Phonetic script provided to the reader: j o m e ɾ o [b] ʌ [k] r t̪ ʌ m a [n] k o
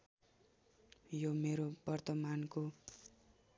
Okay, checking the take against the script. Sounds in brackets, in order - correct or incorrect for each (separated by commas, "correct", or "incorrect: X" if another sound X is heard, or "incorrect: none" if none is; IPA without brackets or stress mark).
correct, incorrect: none, correct